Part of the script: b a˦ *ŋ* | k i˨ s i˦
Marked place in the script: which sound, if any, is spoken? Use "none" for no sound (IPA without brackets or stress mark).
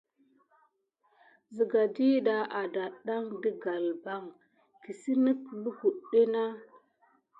ŋ